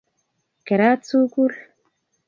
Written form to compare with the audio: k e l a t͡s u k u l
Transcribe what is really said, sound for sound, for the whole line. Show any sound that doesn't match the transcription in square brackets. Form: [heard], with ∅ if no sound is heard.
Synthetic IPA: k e [ɾ] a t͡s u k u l